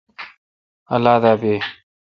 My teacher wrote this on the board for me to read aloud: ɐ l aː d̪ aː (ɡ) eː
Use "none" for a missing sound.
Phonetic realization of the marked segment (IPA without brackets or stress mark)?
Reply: b